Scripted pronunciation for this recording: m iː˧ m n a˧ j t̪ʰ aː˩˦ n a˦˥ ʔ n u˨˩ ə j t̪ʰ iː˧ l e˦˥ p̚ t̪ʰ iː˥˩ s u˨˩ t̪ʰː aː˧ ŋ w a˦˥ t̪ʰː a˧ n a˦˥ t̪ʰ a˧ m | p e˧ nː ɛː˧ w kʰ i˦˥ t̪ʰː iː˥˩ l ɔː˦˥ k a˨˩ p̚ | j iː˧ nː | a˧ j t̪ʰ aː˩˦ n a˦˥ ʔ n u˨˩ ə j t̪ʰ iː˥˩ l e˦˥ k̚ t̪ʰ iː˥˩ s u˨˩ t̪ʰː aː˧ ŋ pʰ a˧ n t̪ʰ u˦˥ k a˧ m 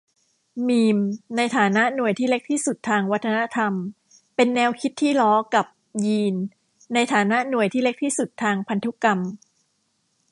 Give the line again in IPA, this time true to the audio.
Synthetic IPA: m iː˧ m n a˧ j t̪ʰ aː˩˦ n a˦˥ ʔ n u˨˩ ə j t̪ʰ iː˥˩ l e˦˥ k̚ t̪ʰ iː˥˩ s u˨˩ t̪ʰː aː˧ ŋ w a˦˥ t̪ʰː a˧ n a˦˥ t̪ʰ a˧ m | p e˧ nː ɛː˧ w kʰ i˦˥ t̪ʰː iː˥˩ l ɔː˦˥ k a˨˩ p̚ | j iː˧ nː | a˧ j t̪ʰ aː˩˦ n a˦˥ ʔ n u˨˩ ə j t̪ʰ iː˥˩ l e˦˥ k̚ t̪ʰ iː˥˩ s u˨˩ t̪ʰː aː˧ ŋ pʰ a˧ n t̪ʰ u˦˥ k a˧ m

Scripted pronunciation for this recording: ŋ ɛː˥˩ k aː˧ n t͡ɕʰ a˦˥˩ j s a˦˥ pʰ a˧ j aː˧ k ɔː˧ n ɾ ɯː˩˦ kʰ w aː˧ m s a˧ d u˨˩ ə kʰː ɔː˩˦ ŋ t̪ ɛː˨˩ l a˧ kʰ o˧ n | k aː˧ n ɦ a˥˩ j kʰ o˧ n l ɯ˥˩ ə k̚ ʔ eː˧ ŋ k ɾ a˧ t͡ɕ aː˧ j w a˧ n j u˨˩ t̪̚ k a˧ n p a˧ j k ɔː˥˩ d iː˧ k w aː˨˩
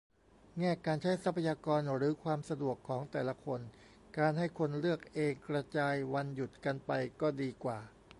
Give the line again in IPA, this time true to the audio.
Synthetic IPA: ŋ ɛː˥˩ k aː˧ n t͡ɕʰ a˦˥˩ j s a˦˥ pʰ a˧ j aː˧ k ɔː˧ n ɾ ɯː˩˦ kʰ w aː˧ m s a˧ d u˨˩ ə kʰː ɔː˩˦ ŋ t̪ ɛː˨˩ l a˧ kʰ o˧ n | k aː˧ n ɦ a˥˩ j kʰ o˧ n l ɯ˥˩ ə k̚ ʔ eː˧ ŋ k ɾ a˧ t͡ɕ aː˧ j w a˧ n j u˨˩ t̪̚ k a˧ n p a˧ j k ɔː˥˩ d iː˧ k w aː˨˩

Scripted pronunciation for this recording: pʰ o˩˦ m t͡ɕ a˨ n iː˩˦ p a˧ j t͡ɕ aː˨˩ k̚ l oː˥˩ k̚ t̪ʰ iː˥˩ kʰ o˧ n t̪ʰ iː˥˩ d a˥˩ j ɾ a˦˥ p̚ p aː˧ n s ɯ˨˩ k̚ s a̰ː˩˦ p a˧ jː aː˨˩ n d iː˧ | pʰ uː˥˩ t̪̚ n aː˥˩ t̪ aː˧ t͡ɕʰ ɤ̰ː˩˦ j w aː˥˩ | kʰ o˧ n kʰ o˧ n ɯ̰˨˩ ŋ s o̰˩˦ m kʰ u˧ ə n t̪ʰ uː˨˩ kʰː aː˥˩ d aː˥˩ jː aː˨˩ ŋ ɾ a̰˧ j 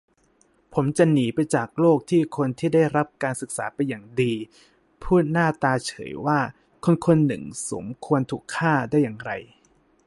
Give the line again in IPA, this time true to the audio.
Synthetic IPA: pʰ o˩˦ m t͡ɕ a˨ n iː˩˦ p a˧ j t͡ɕ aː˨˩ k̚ l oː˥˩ k̚ t̪ʰ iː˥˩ kʰ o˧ n t̪ʰ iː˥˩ d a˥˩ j ɾ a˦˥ p̚ k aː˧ n s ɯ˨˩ k̚ s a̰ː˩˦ p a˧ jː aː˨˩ ŋ d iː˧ | pʰ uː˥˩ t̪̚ n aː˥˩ t̪ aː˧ t͡ɕʰ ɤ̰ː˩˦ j w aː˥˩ | kʰ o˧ n kʰ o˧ nː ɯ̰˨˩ ŋ s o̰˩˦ m kʰ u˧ ə n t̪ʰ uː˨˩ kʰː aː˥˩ d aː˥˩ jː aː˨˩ ŋ ɾ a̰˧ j

